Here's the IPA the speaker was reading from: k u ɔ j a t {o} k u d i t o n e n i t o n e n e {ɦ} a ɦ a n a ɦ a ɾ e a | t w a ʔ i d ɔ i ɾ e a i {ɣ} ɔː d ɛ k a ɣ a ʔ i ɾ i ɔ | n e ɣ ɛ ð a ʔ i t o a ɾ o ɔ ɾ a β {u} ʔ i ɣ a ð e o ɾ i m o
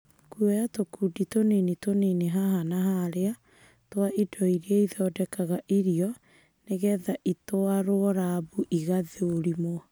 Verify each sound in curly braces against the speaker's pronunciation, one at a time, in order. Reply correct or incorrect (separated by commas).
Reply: correct, correct, incorrect, correct